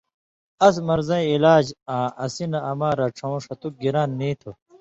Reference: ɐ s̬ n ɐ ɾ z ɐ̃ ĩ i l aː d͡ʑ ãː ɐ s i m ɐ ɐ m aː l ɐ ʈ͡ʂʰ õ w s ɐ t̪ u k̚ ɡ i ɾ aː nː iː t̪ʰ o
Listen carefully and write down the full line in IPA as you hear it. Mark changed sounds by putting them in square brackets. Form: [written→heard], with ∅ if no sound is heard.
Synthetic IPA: ɐ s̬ [n→m] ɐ ɾ z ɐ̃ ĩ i l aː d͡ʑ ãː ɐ s i [m→n] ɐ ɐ m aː [l→ɾ] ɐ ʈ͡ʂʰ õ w [s→ʂ] ɐ t̪ u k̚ ɡ i ɾ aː nː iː t̪ʰ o